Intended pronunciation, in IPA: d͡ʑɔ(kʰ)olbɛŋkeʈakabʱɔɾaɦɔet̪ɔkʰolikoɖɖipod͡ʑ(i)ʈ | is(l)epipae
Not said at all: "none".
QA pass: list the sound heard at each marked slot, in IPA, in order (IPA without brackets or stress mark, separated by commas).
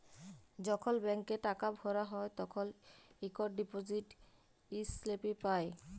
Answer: kʰ, i, l